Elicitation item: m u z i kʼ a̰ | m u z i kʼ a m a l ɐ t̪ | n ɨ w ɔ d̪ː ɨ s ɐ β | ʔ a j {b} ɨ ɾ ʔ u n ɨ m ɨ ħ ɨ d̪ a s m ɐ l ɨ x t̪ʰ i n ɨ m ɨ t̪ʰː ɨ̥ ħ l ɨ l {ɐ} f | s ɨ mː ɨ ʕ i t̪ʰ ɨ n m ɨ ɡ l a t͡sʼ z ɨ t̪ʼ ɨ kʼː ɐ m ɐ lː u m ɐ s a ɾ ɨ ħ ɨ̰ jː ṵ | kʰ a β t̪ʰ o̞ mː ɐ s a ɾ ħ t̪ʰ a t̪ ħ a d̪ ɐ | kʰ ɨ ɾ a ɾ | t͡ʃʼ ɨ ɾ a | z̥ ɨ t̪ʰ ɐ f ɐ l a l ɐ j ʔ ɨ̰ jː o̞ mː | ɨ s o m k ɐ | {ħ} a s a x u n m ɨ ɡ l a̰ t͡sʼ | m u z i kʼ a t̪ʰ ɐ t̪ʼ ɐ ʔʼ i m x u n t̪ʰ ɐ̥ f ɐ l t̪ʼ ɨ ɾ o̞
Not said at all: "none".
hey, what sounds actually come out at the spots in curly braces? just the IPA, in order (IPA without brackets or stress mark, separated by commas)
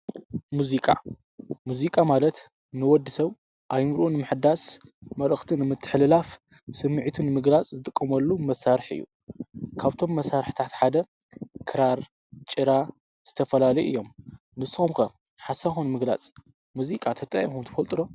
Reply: m, a, ħ